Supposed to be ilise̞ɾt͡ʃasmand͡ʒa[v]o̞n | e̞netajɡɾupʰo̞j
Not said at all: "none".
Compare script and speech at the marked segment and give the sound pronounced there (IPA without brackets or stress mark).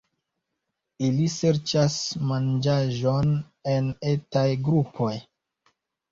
ʒ